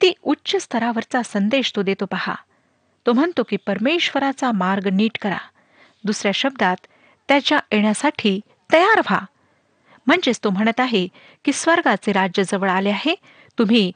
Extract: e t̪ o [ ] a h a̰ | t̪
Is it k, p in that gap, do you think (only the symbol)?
p